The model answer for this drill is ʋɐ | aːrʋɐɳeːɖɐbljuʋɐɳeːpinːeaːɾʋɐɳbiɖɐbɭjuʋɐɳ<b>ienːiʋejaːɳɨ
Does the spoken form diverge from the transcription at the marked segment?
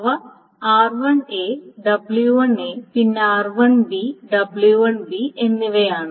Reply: no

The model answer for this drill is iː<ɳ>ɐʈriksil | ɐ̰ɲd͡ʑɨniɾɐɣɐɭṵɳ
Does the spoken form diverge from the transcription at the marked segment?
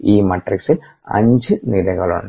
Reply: yes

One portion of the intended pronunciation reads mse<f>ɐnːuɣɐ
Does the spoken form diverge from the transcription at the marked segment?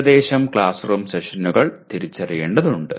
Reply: yes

